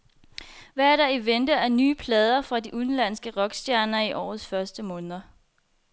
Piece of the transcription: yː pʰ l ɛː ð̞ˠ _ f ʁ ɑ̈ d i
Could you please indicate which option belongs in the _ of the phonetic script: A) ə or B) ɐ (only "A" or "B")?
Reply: B